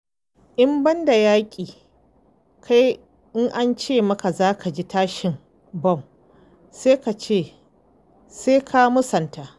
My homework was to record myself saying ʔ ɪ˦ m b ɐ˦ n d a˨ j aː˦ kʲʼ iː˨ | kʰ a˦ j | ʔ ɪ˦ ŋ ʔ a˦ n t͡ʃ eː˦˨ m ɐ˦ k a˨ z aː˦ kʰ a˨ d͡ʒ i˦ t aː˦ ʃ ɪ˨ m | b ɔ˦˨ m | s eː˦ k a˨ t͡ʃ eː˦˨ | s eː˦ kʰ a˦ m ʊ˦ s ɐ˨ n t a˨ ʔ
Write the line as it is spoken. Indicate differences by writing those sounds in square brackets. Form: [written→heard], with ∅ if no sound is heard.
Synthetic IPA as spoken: ʔ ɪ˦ m b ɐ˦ n d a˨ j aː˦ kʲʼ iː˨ | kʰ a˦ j | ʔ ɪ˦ ŋ ʔ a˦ n t͡ʃ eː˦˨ m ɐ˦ k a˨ z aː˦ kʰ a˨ d͡ʒ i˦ t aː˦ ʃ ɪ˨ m | b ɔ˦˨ m | s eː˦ k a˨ t͡ʃ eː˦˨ | s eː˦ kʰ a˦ m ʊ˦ s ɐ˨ n t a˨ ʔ